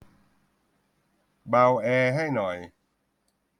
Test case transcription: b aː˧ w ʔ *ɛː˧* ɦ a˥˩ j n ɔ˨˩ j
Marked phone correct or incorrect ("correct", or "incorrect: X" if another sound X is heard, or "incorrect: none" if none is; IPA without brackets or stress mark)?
correct